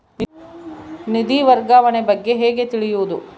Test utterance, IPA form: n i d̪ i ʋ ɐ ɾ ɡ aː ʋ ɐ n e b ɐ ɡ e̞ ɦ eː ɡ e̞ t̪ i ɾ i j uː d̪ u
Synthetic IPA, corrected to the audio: n i d̪ i ʋ ɐ ɾ ɡ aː ʋ ɐ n e b ɐ ɡː e̞ ɦ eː ɡ e̞ t̪ i ɭ i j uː d̪ u